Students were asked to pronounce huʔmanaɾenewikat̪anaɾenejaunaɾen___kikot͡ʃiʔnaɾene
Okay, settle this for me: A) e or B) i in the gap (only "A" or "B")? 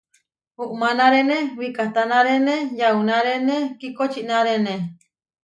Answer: A